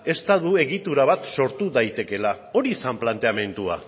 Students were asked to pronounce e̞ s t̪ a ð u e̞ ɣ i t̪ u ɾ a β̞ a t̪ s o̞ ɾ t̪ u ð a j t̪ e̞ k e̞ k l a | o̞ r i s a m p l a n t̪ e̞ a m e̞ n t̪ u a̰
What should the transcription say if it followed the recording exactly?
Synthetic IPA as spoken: e̞ s t̪ a ð u e̞ ɣ i t̪ u ɾ a β̞ a t̪ s o̞ ɾ t̪ u ð a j t̪ e̞ k e̞ l a | o̞ ɾ i s a m p l a n t̪ e̞ a m e̞ n t̪ u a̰